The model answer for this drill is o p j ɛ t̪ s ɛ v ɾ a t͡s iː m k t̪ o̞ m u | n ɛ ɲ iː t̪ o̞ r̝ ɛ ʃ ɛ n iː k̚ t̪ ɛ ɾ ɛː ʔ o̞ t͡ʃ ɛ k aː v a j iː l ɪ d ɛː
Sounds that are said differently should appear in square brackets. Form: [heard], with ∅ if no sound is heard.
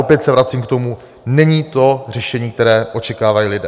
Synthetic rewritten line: o p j ɛ t̪ s ɛ v ɾ a t͡s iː m k t̪ o̞ m u | n ɛ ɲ iː t̪ o̞ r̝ ɛ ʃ ɛ [ɲ] iː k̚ t̪ ɛ ɾ ɛː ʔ o̞ t͡ʃ ɛ k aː v a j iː l ɪ d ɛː